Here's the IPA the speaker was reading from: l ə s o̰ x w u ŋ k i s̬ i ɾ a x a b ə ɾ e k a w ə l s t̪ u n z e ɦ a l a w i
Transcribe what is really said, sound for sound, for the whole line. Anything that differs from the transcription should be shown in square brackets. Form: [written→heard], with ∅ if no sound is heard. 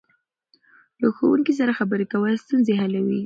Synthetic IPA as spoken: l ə [s→x] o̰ [x→∅] w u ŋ k i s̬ [i→a] ɾ a x a b ə ɾ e k a w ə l s t̪ u n z e ɦ a l a w i